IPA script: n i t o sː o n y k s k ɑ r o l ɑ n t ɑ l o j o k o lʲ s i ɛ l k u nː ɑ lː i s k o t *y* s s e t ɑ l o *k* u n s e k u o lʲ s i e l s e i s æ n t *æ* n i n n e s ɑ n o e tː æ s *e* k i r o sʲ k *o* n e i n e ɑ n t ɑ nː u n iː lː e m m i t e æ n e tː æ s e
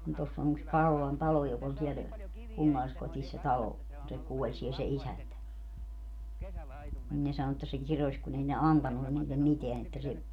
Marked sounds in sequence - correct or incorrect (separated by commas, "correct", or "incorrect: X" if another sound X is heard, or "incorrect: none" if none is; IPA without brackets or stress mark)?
incorrect: i, correct, correct, correct, incorrect: u